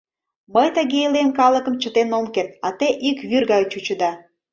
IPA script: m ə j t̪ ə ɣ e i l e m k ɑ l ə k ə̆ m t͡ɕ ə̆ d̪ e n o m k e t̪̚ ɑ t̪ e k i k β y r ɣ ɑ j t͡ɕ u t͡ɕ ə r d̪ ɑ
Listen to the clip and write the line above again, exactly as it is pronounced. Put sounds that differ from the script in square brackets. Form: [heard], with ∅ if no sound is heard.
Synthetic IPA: m ə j t̪ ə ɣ e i l e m k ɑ l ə k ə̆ m t͡ɕ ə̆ [t̪] e n o m k e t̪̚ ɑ t̪ e [ʔ] i k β y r ɣ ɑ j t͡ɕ u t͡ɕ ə [∅] d̪ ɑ

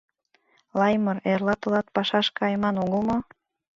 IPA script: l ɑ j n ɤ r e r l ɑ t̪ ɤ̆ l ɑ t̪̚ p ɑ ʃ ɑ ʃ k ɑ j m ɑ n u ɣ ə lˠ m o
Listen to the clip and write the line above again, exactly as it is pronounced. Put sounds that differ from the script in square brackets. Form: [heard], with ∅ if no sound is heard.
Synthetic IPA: l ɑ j [m] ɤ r e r l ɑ t̪ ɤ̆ l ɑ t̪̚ p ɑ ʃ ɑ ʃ k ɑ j m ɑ n u ɣ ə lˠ m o

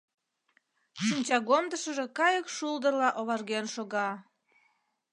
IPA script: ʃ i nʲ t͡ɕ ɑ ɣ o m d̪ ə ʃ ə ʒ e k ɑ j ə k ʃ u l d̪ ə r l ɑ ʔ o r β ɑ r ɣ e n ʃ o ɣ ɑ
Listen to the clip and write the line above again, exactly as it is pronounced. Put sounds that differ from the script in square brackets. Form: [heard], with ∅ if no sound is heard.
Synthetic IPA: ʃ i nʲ t͡ɕ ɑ ɣ o m d̪ ə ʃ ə ʒ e k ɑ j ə k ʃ u l d̪ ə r l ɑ ʔ o [∅] β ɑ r ɣ e n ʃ o ɣ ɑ

